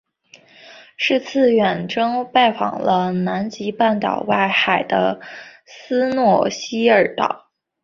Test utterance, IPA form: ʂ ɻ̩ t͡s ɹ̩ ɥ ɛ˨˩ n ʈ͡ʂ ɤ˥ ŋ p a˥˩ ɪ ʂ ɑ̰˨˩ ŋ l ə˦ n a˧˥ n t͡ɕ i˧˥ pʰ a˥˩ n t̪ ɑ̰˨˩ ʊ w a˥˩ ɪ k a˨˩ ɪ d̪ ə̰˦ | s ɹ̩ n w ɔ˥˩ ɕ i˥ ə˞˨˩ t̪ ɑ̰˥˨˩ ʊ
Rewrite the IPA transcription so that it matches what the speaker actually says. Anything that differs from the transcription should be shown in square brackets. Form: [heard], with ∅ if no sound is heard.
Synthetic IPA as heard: ʂ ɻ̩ [t͡sʰ] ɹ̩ ɥ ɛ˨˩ n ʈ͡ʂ ɤ˥ ŋ p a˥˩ ɪ [f] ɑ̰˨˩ ŋ l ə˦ n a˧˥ n t͡ɕ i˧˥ [p] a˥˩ n t̪ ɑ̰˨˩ ʊ w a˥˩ ɪ [x] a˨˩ ɪ d̪ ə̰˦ | s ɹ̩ n w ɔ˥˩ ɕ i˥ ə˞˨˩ t̪ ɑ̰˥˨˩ ʊ

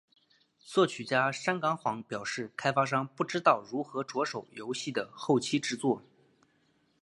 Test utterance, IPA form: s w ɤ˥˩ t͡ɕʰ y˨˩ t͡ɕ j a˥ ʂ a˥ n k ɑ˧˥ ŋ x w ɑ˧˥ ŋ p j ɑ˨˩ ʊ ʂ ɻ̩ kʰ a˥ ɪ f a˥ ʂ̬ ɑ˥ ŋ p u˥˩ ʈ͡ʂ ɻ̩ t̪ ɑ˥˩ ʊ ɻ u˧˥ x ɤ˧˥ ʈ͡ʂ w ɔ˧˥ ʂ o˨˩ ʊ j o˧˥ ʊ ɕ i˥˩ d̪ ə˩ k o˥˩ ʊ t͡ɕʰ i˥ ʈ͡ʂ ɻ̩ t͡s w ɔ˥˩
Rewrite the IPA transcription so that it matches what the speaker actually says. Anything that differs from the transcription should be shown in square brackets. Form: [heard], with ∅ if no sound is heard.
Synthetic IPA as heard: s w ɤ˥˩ t͡ɕʰ y˨˩ t͡ɕ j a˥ ʂ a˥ n k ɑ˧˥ ŋ x w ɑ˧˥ ŋ p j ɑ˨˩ ʊ ʂ ɻ̩ kʰ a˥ ɪ f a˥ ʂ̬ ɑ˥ ŋ p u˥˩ ʈ͡ʂ ɻ̩ t̪ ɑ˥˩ ʊ ɻ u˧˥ x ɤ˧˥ ʈ͡ʂ w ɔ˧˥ ʂ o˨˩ ʊ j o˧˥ ʊ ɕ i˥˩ d̪ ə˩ [x] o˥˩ ʊ t͡ɕʰ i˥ ʈ͡ʂ ɻ̩ t͡s w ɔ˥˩

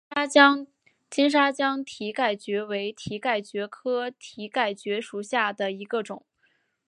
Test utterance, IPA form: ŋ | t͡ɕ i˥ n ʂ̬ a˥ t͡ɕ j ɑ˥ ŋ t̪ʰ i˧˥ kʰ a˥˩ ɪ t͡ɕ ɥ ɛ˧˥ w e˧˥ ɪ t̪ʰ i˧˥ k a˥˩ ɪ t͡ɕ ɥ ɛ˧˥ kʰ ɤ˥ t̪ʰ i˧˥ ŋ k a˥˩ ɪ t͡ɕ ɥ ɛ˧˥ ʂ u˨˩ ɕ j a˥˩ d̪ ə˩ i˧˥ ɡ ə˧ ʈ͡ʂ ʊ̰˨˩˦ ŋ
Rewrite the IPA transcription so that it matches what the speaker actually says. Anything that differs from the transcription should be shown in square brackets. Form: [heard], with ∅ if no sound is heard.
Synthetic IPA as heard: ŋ | t͡ɕ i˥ n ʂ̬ a˥ t͡ɕ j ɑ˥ ŋ t̪ʰ i˧˥ [k] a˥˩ ɪ t͡ɕ ɥ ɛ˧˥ w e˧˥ ɪ t̪ʰ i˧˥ k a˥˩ ɪ t͡ɕ ɥ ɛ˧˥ kʰ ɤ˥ t̪ʰ i˧˥ [∅] k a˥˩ ɪ t͡ɕ ɥ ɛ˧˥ ʂ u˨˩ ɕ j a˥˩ d̪ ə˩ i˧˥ ɡ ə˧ ʈ͡ʂ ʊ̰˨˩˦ ŋ

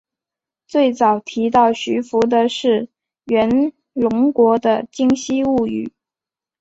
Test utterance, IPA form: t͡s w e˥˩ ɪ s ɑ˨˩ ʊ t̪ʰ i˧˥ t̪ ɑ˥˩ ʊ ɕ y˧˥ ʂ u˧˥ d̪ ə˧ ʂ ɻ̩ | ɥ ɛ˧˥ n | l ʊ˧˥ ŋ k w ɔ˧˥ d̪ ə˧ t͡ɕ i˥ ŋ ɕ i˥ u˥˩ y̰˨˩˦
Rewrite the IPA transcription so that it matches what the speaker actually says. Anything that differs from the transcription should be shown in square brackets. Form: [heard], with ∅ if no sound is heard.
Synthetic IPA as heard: t͡s w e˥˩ ɪ [t͡s] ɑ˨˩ ʊ t̪ʰ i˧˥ t̪ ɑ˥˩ ʊ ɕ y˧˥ [f] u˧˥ d̪ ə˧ ʂ ɻ̩ | ɥ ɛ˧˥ n | l ʊ˧˥ ŋ k w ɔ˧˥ d̪ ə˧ t͡ɕ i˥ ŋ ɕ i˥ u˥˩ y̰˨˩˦

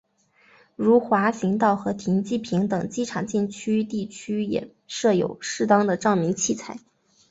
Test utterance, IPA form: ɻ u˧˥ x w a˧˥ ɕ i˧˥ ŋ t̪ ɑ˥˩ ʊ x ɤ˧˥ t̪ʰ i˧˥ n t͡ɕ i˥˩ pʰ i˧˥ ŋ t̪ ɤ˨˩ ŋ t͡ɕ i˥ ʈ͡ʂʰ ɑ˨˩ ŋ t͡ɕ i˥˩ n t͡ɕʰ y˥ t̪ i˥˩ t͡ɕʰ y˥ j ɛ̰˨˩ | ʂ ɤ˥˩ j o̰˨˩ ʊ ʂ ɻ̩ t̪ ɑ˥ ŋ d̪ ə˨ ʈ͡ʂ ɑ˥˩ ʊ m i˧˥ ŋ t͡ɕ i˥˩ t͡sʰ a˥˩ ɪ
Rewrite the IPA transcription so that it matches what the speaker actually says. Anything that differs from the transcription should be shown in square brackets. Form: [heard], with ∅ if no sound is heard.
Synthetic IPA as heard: ɻ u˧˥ x w a˧˥ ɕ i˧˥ ŋ t̪ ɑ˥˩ ʊ x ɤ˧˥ t̪ʰ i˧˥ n t͡ɕ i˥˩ pʰ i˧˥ ŋ t̪ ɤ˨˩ ŋ t͡ɕ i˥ ʈ͡ʂʰ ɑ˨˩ ŋ t͡ɕ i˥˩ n t͡ɕʰ y˥ t̪ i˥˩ t͡ɕʰ y˥ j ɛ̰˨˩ | ʂ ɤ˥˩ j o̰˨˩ ʊ ʂ ɻ̩ t̪ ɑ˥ ŋ d̪ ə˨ ʈ͡ʂ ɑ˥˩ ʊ m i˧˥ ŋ [t͡ɕʰ] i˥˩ t͡sʰ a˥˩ ɪ

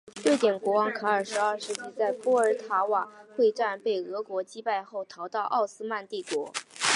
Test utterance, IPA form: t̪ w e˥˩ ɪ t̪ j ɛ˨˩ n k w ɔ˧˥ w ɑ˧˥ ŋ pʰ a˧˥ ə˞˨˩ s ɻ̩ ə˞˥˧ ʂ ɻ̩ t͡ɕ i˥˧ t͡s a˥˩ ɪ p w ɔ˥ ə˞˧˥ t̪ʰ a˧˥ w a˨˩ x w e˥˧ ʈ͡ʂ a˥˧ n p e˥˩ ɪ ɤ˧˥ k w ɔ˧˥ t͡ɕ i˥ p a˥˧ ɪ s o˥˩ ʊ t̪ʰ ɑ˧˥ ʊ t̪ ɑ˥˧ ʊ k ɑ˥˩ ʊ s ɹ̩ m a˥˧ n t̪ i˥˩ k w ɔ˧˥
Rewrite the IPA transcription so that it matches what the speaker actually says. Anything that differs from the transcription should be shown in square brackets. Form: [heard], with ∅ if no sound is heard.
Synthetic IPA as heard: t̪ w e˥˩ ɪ t̪ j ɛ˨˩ n k w ɔ˧˥ w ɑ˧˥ ŋ [kʰ] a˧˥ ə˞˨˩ [ʂ] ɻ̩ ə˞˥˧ ʂ ɻ̩ t͡ɕ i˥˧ t͡s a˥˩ ɪ p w ɔ˥ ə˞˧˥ t̪ʰ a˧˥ w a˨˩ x w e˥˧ ʈ͡ʂ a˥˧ n p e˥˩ ɪ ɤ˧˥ k w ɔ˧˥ t͡ɕ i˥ p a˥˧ ɪ [x] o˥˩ ʊ t̪ʰ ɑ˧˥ ʊ t̪ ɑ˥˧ ʊ [ʔ] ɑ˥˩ ʊ s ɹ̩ m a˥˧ n t̪ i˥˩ k w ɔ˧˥

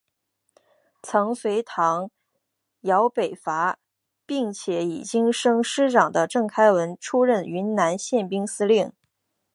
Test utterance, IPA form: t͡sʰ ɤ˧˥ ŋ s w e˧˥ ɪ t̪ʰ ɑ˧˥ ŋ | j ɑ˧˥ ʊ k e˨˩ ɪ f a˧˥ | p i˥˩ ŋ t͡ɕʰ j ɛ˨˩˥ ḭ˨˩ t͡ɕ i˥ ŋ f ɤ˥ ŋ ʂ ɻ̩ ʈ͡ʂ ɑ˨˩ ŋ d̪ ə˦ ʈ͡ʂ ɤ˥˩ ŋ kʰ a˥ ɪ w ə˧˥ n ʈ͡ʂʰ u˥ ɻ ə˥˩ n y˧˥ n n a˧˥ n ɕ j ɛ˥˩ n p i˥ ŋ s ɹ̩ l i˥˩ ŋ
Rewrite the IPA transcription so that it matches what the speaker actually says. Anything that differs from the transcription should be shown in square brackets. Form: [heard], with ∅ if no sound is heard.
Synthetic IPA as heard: t͡sʰ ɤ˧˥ ŋ s w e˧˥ ɪ t̪ʰ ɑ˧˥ ŋ | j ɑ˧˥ ʊ [p] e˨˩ ɪ f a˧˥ | p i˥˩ ŋ t͡ɕʰ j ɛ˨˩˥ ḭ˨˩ t͡ɕ i˥ ŋ [ʂ] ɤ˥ ŋ ʂ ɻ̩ ʈ͡ʂ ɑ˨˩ ŋ d̪ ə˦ ʈ͡ʂ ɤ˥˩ ŋ kʰ a˥ ɪ w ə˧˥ n ʈ͡ʂʰ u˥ ɻ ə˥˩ n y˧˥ n n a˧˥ n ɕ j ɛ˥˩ n p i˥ ŋ s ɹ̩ l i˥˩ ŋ

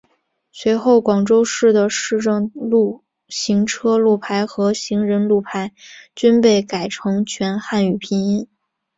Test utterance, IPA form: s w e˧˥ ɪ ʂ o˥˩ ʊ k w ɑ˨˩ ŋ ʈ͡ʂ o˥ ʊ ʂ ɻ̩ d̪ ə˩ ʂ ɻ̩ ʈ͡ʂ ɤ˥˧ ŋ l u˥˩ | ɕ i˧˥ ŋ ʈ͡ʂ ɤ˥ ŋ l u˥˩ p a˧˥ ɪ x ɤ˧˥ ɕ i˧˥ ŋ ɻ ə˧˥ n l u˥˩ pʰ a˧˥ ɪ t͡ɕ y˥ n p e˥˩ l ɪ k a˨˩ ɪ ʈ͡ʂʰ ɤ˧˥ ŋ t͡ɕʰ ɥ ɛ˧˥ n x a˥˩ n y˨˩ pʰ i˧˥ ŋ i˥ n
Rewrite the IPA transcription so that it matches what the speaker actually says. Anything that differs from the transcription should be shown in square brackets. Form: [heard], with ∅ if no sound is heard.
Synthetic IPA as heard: s w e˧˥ ɪ [x] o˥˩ ʊ k w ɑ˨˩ ŋ ʈ͡ʂ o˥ ʊ ʂ ɻ̩ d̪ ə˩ ʂ ɻ̩ ʈ͡ʂ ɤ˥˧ ŋ l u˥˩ | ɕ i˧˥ ŋ [ʈ͡ʂʰ] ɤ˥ [∅] l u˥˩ [pʰ] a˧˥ ɪ x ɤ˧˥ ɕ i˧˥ ŋ ɻ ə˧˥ n l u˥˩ pʰ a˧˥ ɪ t͡ɕ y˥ n p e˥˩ [∅] ɪ k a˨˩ ɪ ʈ͡ʂʰ ɤ˧˥ ŋ t͡ɕʰ ɥ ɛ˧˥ n x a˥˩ n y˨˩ pʰ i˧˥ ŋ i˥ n

